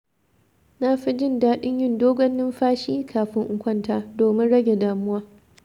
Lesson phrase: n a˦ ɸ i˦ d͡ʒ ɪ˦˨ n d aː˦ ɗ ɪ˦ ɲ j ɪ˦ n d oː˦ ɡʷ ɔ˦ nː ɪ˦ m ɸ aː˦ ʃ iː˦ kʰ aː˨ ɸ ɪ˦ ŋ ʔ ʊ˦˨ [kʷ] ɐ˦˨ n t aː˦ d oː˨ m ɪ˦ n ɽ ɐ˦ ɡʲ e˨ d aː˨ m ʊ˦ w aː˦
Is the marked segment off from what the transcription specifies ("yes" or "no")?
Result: no